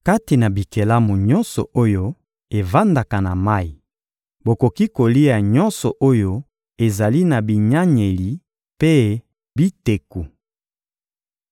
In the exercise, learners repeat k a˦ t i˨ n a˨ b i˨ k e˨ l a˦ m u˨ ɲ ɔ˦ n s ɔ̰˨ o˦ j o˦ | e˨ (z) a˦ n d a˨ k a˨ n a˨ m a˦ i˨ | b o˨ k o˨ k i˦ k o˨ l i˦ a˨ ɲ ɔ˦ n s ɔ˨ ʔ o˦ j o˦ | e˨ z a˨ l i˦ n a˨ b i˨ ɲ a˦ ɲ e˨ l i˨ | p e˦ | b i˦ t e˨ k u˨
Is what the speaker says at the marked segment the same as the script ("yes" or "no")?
no